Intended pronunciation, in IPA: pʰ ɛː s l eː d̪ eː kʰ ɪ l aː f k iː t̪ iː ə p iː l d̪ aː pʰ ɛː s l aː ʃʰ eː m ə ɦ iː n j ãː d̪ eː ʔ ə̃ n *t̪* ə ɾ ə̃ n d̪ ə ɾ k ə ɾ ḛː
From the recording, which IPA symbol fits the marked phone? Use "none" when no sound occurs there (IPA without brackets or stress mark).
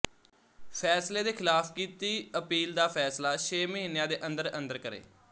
d̪